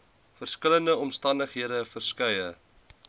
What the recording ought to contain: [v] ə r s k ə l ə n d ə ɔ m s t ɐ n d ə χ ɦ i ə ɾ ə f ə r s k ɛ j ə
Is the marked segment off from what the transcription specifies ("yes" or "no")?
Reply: yes